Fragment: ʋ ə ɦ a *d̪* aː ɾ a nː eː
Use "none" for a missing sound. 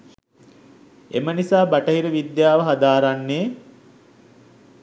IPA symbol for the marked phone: d̪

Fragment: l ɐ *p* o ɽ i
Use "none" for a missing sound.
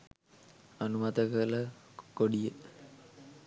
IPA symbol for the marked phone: k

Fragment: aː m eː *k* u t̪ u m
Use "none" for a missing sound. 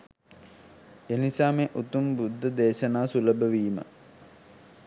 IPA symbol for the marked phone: ʔ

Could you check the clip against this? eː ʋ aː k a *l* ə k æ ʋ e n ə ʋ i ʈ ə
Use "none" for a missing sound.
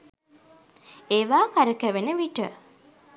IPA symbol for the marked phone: ɾ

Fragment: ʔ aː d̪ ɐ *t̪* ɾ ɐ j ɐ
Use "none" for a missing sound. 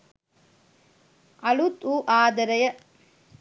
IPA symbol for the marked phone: none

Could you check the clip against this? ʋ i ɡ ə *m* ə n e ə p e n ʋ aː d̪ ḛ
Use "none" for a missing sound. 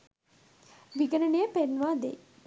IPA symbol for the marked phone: n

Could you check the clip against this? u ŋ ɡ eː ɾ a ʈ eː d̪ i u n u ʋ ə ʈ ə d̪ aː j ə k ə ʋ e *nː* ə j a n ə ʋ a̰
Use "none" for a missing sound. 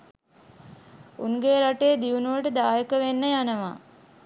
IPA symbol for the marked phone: nː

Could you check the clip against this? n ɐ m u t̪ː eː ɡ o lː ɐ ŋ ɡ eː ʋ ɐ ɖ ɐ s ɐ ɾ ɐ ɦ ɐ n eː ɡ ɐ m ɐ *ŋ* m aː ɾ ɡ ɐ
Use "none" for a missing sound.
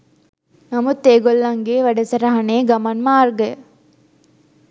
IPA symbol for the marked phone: n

